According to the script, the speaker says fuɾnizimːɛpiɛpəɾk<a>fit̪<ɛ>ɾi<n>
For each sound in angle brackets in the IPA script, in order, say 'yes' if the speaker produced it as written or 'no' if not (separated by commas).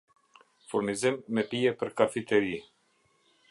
yes, yes, no